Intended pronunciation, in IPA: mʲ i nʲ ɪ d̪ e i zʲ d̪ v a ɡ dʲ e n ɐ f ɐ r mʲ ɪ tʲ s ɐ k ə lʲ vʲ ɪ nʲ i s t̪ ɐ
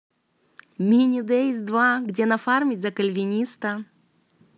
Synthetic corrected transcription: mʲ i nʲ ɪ d̪ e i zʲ d̪ v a ɡ dʲ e n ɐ f a r mʲ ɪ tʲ z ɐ k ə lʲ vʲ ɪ nʲ i s t̪ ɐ